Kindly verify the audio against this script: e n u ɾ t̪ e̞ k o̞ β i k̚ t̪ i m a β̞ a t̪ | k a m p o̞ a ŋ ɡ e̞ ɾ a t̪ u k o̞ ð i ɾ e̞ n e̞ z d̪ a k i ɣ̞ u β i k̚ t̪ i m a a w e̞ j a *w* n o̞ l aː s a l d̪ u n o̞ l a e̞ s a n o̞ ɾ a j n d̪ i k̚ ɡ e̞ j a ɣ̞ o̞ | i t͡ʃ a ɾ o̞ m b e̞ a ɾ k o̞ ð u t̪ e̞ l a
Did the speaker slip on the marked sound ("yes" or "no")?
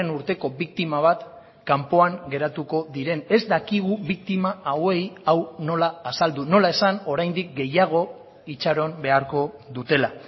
no